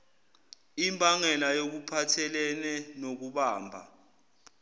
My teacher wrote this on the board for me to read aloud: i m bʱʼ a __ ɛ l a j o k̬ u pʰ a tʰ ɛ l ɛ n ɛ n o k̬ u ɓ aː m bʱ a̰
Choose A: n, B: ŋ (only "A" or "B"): B